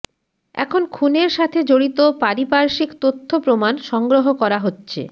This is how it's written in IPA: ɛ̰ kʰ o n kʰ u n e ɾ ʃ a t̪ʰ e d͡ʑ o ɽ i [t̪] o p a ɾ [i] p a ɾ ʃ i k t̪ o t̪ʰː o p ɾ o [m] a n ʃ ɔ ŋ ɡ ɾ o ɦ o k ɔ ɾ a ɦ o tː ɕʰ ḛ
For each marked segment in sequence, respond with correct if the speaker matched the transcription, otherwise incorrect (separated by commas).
correct, correct, correct